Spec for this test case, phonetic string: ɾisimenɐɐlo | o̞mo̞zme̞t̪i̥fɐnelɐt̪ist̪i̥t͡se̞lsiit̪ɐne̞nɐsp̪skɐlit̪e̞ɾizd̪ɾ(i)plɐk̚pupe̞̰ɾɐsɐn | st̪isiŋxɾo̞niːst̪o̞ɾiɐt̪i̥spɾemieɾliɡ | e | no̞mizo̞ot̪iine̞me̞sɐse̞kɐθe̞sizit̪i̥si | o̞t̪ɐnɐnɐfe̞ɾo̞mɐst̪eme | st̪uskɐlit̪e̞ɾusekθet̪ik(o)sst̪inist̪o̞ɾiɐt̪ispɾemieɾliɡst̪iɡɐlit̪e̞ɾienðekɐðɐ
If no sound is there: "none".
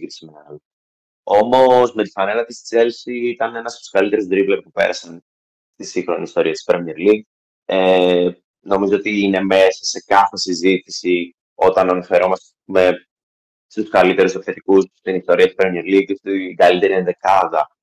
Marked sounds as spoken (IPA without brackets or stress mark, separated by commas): i, u